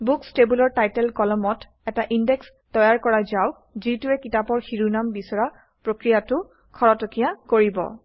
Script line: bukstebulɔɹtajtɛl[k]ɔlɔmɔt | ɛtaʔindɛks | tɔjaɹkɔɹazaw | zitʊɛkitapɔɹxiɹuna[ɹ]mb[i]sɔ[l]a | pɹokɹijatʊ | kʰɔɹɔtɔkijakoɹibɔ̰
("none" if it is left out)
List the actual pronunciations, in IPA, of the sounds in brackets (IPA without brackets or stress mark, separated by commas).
k, none, i, ɹ